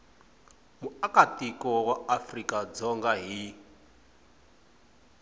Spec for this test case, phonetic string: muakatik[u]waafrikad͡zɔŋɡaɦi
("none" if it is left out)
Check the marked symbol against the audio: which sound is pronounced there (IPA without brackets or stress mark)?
ɔ